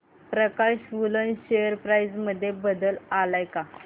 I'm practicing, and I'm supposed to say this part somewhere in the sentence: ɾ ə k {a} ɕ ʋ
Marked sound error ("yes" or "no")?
no